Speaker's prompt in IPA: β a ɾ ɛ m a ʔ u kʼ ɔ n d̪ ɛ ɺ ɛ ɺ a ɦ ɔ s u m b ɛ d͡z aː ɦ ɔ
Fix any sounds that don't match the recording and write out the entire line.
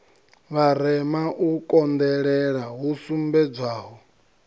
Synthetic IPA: β a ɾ ɛ m a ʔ u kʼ ɔ n d̪ ɛ ɺ ɛ ɺ a ɦ u s u m b ɛ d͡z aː ɦ ɔ